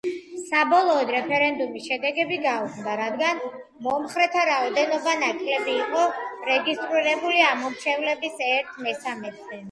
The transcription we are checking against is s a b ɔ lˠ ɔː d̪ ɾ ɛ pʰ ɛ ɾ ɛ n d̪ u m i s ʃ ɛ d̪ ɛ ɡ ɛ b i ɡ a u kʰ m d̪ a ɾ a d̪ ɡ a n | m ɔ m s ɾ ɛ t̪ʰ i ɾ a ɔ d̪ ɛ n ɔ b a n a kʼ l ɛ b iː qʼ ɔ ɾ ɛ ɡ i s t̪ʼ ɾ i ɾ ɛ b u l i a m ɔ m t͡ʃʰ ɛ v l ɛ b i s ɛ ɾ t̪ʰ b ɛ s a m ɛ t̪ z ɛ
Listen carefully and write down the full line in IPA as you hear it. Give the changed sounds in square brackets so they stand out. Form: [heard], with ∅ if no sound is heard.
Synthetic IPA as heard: s a b ɔ lˠ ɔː d̪ ɾ ɛ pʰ ɛ ɾ ɛ n d̪ u m i s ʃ ɛ d̪ ɛ ɡ ɛ b i ɡ a u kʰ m d̪ a ɾ a d̪ ɡ a n | m ɔ m [χ] ɾ ɛ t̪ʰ [a] ɾ a ɔ d̪ ɛ n ɔ b a n a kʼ l ɛ b iː qʼ ɔ ɾ ɛ ɡ i s t̪ʼ ɾ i ɾ ɛ b u l i a m ɔ m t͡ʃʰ ɛ v l ɛ b i s ɛ ɾ t̪ʰ [m] ɛ s a m ɛ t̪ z ɛ